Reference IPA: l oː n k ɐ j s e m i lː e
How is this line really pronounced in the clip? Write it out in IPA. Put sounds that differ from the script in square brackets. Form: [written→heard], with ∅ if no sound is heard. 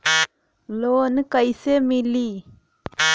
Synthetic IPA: l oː n k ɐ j s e m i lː [e→i]